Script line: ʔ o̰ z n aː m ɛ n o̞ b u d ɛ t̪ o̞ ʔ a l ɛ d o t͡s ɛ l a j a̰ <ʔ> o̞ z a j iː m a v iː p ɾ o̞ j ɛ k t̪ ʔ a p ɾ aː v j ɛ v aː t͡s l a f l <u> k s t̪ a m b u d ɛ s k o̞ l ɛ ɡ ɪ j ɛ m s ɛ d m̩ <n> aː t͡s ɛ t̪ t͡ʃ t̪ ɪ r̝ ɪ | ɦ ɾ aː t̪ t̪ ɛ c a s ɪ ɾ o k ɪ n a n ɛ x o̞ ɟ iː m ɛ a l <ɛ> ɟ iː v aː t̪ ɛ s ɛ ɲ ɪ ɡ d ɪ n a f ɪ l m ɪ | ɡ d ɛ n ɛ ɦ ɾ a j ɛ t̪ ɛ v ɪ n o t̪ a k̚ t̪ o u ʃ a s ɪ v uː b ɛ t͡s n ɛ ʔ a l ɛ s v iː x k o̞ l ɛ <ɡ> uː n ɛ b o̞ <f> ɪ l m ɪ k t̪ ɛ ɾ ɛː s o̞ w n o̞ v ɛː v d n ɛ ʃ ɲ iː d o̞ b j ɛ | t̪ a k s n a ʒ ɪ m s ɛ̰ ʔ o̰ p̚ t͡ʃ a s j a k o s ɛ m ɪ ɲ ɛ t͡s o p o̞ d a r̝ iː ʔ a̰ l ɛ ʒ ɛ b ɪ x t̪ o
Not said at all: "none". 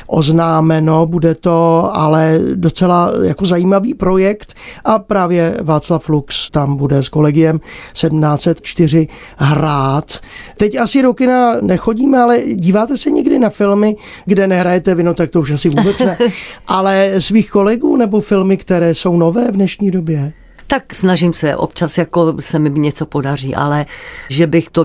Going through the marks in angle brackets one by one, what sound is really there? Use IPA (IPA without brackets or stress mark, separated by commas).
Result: k, u, n, ɛ, ɡ, f